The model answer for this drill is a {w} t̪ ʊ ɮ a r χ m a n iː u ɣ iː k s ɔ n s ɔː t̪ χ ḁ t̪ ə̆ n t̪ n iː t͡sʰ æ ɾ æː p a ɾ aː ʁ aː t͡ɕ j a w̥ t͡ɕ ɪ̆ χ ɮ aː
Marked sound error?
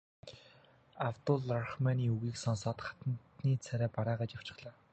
no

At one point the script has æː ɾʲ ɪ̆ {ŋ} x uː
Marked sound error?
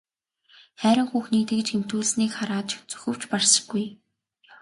no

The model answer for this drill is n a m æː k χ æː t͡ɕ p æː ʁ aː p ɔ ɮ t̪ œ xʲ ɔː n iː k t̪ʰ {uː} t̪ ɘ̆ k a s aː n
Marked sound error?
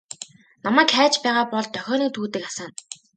no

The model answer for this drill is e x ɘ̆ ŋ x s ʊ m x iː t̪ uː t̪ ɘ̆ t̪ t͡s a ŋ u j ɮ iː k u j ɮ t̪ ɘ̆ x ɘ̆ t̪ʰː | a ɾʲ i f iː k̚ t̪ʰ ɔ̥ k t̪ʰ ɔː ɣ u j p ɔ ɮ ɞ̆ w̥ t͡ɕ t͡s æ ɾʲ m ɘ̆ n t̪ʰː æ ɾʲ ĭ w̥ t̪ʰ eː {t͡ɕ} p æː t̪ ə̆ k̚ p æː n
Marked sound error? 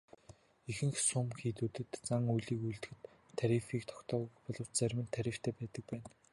yes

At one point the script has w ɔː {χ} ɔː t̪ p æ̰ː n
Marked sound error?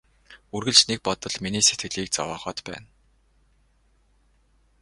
no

